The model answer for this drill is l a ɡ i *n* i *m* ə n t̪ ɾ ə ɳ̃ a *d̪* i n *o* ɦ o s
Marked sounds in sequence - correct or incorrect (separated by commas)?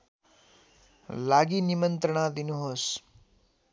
correct, correct, correct, incorrect